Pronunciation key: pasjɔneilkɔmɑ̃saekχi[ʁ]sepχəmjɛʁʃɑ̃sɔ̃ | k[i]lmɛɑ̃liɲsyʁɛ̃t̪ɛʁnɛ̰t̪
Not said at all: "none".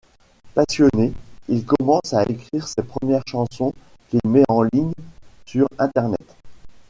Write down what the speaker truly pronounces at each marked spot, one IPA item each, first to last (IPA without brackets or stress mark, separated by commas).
ʁ, i